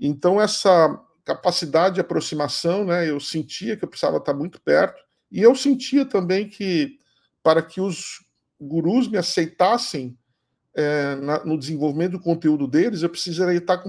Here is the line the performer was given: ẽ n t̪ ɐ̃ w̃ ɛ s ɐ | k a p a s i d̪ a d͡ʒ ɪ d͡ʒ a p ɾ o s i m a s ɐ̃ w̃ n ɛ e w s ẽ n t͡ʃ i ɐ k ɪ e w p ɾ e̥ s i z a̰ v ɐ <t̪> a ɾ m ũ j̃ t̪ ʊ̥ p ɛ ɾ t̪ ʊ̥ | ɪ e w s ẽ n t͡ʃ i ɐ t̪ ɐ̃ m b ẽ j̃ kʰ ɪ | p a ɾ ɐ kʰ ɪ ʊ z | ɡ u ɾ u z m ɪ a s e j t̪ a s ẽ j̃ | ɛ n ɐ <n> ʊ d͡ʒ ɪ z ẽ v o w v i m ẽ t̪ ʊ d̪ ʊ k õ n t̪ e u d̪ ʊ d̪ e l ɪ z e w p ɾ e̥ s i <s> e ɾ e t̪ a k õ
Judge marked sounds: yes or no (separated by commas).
yes, yes, no